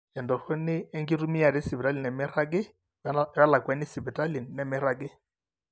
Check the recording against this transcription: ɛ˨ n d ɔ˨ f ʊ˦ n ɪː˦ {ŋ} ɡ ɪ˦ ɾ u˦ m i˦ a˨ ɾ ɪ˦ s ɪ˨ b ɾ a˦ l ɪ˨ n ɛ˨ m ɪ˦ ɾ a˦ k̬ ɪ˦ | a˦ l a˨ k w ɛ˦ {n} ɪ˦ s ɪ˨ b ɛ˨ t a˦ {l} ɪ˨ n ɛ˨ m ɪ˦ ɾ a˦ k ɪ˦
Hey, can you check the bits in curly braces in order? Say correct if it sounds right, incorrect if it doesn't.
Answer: correct, correct, correct

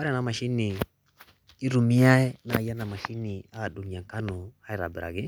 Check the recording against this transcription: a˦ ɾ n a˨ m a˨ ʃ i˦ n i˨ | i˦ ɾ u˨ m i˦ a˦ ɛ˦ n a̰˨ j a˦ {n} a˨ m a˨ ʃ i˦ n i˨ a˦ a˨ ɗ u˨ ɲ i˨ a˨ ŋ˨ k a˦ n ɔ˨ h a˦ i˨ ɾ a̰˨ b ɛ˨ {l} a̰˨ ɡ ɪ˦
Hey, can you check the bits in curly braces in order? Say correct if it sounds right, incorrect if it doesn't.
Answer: correct, incorrect

